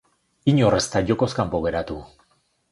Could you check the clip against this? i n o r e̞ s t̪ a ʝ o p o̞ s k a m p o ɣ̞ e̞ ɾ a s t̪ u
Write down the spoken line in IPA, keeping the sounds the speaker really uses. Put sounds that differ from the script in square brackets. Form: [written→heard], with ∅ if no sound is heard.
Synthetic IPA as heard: i [n→ɲ] o r e̞ s t̪ a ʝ o [p→k] o̞ s k a m p o ɣ̞ e̞ ɾ a [s→∅] t̪ u

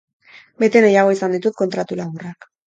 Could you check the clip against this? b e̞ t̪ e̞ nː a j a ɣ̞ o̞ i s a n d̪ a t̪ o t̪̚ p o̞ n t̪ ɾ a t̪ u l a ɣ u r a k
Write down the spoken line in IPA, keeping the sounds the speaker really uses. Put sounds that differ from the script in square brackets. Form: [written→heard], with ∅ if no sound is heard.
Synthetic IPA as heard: b e̞ t̪ e̞ [nː→n] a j a ɣ̞ o̞ i s a n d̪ [a→i] t̪ [o→u] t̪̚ [p→k] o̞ n t̪ ɾ a t̪ u l a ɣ u r a k

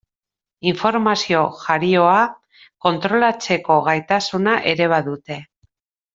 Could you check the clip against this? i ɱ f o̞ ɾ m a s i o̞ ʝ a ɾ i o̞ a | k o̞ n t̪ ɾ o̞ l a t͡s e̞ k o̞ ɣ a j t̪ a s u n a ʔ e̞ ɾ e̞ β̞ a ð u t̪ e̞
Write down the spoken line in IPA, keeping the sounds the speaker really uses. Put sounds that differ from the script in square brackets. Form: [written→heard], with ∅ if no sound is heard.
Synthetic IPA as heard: i ɱ f o̞ ɾ m a s i o̞ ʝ a ɾ i o̞ a | k o̞ n t̪ ɾ o̞ l a t͡s e̞ k o̞ ɣ a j t̪ a s u n a ʔ e̞ ɾ e̞ β̞ a ð u t̪ e̞

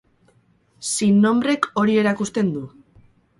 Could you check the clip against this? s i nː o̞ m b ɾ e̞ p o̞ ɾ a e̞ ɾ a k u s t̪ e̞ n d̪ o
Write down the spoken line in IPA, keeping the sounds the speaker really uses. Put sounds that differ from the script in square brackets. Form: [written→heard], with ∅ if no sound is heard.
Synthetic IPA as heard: s i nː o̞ m b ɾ e̞ [p→k] o̞ ɾ [a→i] e̞ ɾ a k u s t̪ e̞ n d̪ [o→u]

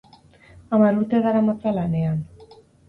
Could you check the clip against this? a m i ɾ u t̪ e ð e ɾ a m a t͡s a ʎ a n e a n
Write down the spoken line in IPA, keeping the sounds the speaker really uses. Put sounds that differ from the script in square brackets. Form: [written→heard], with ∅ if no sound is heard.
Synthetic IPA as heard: a m [i→a] ɾ u t̪ e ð [e→a] ɾ a m a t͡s a [ʎ→l] a n e a n

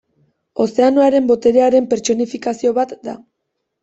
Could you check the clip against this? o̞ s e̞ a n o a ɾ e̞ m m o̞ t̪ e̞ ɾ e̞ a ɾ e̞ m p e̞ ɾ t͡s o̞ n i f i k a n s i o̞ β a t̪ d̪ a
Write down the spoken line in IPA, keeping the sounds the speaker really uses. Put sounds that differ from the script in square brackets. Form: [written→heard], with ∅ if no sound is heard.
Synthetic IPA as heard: o̞ s e̞ a n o a ɾ e̞ m [m→b] o̞ t̪ e̞ ɾ e̞ a ɾ e̞ m p e̞ ɾ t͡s o̞ n i f i k a [n→∅] s i o̞ β a t̪ d̪ a

